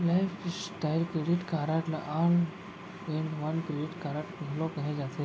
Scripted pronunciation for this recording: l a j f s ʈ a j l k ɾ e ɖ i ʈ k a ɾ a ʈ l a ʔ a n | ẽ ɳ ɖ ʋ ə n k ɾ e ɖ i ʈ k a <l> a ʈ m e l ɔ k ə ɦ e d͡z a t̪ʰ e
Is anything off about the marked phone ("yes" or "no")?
yes